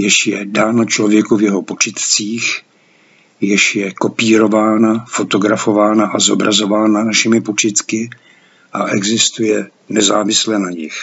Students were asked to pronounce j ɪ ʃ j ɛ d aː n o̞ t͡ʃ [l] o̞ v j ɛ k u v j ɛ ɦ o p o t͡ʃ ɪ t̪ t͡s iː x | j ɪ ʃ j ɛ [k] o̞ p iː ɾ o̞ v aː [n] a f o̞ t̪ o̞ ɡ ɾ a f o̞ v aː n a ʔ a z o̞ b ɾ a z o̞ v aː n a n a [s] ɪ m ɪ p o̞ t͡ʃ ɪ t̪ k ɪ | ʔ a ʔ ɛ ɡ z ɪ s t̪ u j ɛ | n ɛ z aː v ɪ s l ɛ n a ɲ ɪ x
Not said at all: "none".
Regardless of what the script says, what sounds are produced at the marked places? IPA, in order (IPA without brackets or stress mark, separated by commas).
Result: l, k, n, ʃ